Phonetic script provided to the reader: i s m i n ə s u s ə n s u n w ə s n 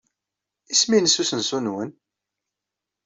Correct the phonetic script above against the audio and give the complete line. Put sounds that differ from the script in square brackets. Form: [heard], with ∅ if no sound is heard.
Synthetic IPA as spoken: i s m i n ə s u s ə n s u n w ə [∅] n